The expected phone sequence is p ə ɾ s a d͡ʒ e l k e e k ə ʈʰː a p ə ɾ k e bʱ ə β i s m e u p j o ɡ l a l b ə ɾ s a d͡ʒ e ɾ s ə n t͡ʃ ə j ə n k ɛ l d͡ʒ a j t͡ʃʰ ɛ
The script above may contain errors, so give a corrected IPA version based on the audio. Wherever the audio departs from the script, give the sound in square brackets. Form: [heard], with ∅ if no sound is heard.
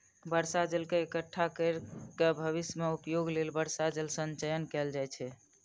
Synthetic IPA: [b] ə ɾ s a d͡ʒ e l k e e k ə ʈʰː a [k] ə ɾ k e bʱ ə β i s m e u p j o ɡ l [e] l b ə ɾ s a d͡ʒ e [l] s ə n t͡ʃ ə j ə n k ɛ l d͡ʒ a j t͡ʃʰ ɛ